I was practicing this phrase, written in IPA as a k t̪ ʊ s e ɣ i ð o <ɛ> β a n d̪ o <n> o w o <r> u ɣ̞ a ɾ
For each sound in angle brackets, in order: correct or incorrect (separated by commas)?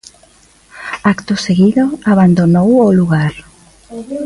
incorrect, correct, incorrect